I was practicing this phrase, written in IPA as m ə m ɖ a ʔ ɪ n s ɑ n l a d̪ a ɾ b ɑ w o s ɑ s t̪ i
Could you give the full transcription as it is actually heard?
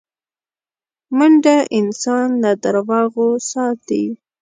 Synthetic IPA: m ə ɳ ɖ a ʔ ɪ n s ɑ n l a d̪ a ɾ w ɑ ɣ o s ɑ t̪ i